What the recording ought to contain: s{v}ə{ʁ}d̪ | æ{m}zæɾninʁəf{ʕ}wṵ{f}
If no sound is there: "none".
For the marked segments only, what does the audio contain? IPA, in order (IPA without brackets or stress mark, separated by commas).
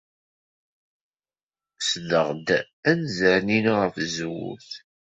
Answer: ð, ʁ, n, z, θ